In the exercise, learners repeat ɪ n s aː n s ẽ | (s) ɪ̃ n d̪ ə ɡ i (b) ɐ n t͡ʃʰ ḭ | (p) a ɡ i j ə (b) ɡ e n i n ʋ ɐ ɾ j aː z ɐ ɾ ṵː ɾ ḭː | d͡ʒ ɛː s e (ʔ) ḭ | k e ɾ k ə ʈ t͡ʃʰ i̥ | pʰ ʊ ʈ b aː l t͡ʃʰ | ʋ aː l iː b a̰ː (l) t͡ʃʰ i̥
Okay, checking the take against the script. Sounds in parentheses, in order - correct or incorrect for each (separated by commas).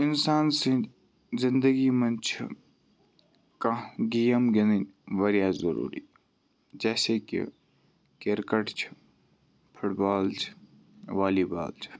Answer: incorrect, incorrect, incorrect, incorrect, incorrect, correct